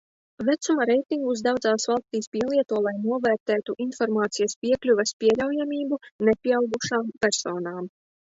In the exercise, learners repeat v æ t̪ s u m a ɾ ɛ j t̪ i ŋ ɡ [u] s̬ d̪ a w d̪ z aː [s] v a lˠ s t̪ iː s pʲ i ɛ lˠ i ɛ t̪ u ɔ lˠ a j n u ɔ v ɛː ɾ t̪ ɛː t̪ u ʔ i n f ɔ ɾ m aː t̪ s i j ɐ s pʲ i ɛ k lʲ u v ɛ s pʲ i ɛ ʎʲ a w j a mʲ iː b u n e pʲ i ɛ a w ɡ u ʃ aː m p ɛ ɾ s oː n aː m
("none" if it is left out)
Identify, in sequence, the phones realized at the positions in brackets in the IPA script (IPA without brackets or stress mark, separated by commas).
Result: u, s